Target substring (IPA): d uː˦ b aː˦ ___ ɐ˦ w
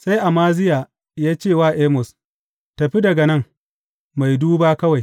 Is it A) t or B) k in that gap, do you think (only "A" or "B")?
B